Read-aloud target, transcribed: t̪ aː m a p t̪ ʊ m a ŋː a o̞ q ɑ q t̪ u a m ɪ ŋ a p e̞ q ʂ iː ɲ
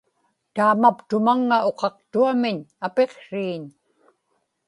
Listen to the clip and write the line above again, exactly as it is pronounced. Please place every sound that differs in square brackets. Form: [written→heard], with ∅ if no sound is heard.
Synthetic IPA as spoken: t̪ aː m a p t̪ ʊ m a ŋː a o̞ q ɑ q t̪ u a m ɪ [ŋ→ɲ] a p e̞ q ʂ iː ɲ

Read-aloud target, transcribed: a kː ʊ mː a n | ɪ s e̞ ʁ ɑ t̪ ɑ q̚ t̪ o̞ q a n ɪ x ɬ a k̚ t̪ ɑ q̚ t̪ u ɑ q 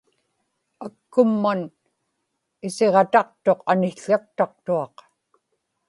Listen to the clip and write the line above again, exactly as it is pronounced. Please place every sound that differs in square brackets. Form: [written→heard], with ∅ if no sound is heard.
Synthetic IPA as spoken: a kː ʊ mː a n | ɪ s e̞ ʁ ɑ t̪ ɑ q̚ t̪ o̞ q a n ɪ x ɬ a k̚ t̪ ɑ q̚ t̪ u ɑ q

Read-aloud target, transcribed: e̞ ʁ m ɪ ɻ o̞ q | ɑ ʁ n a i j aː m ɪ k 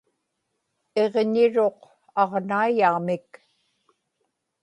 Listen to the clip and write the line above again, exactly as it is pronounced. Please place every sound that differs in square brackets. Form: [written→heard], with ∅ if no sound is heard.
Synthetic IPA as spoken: e̞ ʁ [m→ɲ] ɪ ɻ o̞ q | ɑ ʁ n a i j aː m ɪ k

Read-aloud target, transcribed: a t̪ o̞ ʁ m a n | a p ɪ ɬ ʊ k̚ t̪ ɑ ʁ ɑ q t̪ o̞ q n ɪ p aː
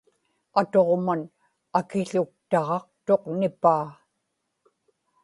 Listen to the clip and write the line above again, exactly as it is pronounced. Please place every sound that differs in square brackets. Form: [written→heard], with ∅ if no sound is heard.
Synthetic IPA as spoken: a t̪ o̞ ʁ m a n | a [p→k] ɪ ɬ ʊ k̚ t̪ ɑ ʁ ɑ q t̪ o̞ q n ɪ p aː

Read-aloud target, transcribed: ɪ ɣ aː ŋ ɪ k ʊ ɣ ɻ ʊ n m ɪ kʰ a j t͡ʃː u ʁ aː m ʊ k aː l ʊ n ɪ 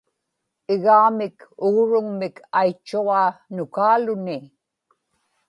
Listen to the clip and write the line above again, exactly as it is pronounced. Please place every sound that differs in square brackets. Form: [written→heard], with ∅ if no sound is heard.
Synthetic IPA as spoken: ɪ ɣ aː [ŋ→m] ɪ k ʊ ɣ ɻ ʊ [n→ŋ] m ɪ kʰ a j t͡ʃː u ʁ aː [m→n] ʊ k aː l ʊ n ɪ

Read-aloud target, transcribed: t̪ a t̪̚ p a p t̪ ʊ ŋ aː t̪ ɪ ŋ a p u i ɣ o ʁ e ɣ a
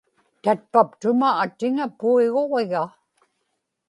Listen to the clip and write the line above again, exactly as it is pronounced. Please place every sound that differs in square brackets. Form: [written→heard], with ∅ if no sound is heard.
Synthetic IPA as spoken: t̪ a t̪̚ p a p t̪ ʊ [ŋ→m] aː t̪ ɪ ŋ a p u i ɣ o ʁ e ɣ a

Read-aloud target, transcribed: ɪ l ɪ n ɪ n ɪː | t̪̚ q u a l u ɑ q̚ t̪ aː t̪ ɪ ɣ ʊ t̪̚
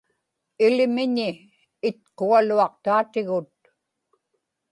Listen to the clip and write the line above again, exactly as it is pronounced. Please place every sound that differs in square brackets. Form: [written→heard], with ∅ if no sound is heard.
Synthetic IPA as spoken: ɪ l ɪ [n→m] ɪ [n→ɲ] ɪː | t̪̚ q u a l u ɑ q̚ t̪ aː t̪ ɪ ɣ ʊ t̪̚

